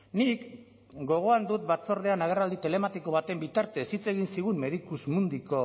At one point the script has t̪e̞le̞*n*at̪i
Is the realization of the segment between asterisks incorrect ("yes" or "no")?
yes